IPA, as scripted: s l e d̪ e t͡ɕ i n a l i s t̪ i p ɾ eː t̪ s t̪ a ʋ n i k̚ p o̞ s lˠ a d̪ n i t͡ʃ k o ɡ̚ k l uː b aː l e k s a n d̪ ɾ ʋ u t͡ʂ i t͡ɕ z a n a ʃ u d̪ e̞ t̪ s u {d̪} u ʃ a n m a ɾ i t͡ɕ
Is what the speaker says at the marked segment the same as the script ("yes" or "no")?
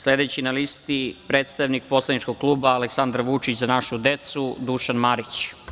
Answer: yes